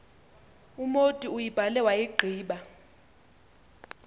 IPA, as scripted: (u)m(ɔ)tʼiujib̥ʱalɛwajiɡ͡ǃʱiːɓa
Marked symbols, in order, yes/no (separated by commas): yes, no